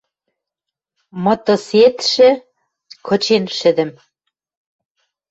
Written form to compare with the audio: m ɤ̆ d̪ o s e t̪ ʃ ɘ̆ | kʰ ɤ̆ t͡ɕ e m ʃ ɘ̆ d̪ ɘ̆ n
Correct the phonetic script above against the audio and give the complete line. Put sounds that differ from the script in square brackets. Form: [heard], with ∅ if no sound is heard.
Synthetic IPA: m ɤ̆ [t̪] o s e t̪ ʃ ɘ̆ | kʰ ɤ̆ t͡ɕ e [n] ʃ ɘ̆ d̪ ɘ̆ [m]